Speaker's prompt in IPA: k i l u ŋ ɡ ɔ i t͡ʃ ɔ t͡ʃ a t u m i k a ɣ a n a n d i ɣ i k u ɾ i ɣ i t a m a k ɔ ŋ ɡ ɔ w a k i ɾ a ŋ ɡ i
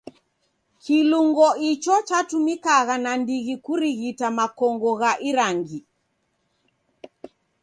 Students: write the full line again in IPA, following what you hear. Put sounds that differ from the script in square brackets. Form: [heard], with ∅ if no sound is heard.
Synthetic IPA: k i l u ŋ ɡ ɔ i t͡ʃ ɔ t͡ʃ a t u m i k a ɣ a n a n d i ɣ i k u ɾ i ɣ i t a m a k ɔ ŋ ɡ ɔ [ɣ] a [ʔ] i ɾ a ŋ ɡ i

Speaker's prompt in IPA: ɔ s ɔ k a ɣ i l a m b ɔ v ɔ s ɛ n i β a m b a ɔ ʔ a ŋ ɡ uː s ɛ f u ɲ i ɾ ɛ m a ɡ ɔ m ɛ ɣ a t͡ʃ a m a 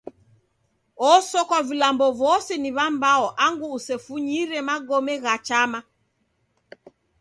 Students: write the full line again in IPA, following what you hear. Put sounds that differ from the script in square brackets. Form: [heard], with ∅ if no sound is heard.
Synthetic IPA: ɔ s ɔ k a [v] i l a m b ɔ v ɔ s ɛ n i β a m b a ɔ ʔ a ŋ ɡ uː s ɛ f u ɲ i ɾ ɛ m a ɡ ɔ m ɛ ɣ a t͡ʃ a m a

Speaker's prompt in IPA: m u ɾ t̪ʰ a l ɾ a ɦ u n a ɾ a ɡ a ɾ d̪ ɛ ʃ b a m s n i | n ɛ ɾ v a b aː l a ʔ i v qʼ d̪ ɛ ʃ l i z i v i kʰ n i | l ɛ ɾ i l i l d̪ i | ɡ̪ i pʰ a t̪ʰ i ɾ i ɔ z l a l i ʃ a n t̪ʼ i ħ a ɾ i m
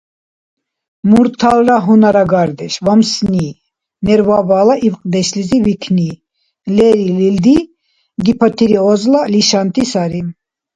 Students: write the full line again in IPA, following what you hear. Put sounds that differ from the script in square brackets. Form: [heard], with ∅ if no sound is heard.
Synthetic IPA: m u ɾ t̪ʰ a l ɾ a ɦ u n a ɾ a ɡ a ɾ d̪ ɛ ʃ [v] a m s n i | n ɛ ɾ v a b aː l a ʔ i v qʼ d̪ ɛ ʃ l i z i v i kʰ n i | l ɛ ɾ i l i l d̪ i | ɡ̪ i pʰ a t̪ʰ i ɾ i ɔ z l a l i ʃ a n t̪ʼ i [s] a ɾ i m

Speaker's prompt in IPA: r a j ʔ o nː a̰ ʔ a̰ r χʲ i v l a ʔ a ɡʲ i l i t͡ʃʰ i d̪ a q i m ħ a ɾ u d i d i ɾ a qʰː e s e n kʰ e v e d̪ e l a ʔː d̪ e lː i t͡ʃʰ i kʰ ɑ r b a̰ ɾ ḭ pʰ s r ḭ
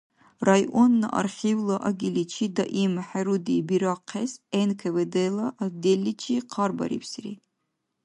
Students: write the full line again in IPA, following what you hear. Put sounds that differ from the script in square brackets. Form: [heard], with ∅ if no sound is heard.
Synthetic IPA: r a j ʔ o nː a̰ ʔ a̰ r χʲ i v l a ʔ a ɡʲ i l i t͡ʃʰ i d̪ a [ʔ] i m ħ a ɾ u d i [b] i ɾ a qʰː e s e n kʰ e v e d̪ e l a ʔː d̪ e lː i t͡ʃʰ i [qʰ] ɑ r b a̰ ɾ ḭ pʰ s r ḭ

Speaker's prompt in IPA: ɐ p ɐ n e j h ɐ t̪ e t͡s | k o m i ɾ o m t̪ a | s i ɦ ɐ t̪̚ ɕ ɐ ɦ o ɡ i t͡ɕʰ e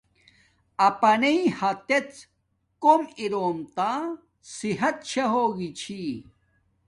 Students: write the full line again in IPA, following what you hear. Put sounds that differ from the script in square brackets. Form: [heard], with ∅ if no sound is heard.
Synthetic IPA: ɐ p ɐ n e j h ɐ t̪ e t͡s | k o m i ɾ o m t̪ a | s i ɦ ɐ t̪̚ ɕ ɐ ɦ o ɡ i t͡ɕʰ [i]

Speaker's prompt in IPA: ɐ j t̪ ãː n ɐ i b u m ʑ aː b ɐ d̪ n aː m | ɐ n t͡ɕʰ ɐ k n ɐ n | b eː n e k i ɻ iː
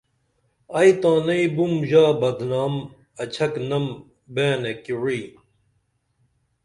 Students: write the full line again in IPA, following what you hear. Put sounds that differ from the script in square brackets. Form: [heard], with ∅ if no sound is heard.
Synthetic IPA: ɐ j t̪ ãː n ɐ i b u m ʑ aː b ɐ d̪ n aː m | ɐ [∅] t͡ɕʰ ɐ k n ɐ [m] | b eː n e k i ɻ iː

